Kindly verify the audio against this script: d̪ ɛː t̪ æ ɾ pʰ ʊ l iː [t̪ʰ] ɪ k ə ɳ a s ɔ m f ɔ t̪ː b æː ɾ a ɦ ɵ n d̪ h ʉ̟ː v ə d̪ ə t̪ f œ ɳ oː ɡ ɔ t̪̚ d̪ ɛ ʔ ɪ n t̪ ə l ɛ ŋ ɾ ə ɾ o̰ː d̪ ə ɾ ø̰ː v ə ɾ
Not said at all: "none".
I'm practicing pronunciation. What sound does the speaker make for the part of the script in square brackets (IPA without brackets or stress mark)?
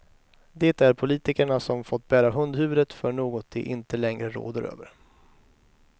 t̪